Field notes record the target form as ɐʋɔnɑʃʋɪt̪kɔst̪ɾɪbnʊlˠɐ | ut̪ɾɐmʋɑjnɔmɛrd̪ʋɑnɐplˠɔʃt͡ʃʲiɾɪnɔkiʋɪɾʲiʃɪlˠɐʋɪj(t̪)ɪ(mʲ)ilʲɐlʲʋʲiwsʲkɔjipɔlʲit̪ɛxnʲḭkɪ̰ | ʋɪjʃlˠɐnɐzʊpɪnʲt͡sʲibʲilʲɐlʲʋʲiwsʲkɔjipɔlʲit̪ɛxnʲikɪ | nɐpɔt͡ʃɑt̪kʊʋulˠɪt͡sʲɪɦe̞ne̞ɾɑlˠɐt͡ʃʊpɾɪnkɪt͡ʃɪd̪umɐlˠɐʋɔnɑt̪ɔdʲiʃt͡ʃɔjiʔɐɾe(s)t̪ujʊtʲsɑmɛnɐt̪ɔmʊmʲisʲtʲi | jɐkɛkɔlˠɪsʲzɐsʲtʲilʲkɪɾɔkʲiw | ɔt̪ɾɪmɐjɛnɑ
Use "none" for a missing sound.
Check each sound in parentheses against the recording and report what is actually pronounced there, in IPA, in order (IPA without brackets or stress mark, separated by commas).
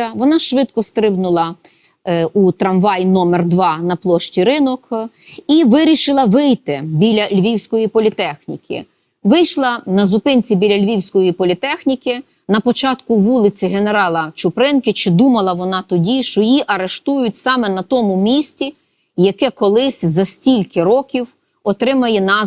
t̪, bʲ, ʃ